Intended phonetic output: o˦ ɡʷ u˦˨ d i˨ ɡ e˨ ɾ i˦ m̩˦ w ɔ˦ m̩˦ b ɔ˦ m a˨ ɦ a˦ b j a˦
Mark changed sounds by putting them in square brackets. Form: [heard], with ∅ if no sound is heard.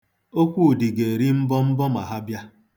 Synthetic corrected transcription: o˦ [kʷ] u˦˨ d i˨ ɡ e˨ ɾ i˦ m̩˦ [b] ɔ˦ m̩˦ b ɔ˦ m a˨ ɦ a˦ b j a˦